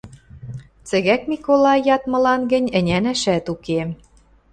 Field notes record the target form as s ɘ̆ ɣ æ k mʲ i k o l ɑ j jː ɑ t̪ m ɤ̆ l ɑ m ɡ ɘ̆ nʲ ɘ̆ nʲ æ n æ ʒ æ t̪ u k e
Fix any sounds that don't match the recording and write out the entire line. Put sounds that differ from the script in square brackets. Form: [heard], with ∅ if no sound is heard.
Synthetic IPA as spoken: [t͡s] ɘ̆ ɣ æ k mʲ i k o l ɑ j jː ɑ t̪ m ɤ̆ l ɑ [n] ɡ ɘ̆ nʲ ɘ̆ nʲ æ n æ [ʃ] æ t̪ u k e